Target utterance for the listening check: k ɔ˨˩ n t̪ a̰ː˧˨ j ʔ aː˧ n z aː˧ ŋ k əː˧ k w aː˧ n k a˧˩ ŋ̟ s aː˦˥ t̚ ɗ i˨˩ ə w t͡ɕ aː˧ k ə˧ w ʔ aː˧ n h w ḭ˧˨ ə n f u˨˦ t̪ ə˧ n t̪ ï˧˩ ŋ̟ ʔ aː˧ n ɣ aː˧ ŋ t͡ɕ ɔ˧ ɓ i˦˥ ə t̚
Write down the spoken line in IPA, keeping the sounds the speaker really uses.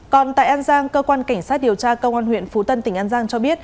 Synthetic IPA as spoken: k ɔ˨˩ n t̪ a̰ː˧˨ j ʔ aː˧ n z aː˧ ŋ k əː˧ k w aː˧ n k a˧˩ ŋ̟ s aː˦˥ t̚ ɗ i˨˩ ə w t͡ɕ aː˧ k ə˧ w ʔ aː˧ n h w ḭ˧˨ ə n f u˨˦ t̪ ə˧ n t̪ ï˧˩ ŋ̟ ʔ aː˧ n z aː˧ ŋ t͡ɕ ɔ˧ ɓ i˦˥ ə t̚